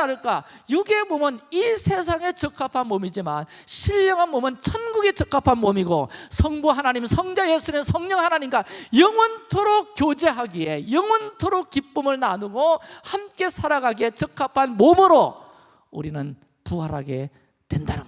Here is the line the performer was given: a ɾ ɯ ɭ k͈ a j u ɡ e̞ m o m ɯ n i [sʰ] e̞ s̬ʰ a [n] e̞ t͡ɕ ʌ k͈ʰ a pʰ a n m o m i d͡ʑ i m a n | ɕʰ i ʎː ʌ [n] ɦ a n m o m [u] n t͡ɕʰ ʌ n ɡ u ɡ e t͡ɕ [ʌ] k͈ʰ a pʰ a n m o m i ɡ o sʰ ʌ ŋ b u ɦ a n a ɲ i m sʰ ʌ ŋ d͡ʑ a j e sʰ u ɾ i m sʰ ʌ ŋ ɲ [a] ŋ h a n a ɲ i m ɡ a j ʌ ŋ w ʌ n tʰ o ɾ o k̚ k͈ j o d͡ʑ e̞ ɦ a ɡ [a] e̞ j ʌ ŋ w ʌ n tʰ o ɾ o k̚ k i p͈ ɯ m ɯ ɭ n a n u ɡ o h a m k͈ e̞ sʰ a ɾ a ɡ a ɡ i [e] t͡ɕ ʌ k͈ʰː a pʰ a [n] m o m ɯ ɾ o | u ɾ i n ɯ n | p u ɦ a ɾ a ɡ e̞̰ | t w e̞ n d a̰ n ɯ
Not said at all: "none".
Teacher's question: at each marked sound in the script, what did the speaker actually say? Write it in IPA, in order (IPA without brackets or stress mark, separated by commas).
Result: sʰ, ŋ, ŋ, ɯ, ʌ, ʌ, i, e, n